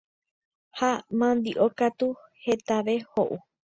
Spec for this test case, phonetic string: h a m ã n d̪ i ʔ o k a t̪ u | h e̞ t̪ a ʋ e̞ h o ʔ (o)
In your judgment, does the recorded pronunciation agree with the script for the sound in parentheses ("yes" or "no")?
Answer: no